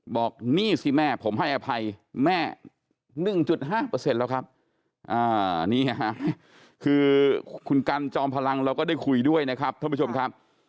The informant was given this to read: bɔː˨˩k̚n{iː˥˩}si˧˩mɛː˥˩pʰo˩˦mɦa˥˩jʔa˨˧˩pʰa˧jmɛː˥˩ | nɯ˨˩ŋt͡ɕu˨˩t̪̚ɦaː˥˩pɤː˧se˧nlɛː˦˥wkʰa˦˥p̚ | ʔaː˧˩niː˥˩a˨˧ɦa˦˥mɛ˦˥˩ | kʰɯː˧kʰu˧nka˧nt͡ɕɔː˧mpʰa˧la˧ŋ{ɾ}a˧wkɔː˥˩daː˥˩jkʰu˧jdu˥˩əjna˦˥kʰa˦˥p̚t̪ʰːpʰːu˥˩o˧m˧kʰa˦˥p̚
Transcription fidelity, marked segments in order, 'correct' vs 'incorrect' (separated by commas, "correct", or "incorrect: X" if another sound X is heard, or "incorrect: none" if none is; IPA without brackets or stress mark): correct, correct